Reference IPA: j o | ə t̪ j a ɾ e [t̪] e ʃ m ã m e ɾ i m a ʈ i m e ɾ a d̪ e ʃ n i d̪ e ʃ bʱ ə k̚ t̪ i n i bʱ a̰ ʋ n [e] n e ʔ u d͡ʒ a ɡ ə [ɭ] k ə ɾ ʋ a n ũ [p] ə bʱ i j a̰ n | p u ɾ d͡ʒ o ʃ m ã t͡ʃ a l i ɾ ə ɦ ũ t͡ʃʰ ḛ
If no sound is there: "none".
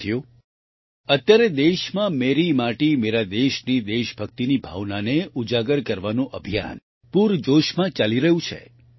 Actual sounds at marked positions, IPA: d̪, a, ɾ, ʔ

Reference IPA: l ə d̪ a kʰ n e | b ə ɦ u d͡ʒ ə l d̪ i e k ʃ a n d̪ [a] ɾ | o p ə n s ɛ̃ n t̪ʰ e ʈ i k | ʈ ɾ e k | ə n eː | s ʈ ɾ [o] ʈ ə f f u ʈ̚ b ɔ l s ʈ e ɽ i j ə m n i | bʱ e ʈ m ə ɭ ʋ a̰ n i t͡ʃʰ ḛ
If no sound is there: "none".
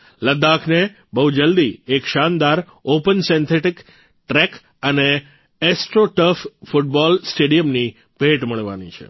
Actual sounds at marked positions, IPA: a, o

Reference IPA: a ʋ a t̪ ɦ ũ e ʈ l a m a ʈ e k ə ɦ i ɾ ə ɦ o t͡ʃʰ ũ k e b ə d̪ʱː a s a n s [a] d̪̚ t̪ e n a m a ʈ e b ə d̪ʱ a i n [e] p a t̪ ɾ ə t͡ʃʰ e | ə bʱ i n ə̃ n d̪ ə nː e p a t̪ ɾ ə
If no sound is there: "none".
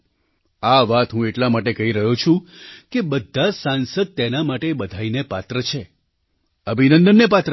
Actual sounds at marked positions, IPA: ə, e

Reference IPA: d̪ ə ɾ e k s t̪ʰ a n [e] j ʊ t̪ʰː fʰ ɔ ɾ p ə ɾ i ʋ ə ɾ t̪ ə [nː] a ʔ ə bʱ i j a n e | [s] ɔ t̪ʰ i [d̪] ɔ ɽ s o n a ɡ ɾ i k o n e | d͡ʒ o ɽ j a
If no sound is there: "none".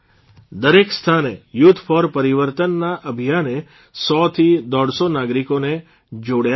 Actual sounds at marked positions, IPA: e, nː, s, d̪

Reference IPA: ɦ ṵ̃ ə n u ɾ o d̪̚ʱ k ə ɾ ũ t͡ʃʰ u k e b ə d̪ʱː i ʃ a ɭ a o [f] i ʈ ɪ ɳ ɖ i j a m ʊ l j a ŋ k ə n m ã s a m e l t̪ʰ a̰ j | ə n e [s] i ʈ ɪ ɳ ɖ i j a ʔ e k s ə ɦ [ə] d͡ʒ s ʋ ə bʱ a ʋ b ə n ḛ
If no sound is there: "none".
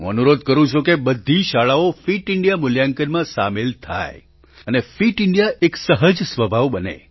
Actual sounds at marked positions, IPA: f, f, ə

